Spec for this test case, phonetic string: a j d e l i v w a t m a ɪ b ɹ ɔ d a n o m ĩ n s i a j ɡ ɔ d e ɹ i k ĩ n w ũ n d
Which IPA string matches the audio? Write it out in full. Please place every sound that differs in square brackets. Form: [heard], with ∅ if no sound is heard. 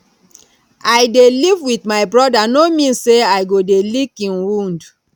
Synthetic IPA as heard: a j d e l i v w [i] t m a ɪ b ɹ ɔ d a n o m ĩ n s [e] a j ɡ [o] d e [l] i k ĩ n w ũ n d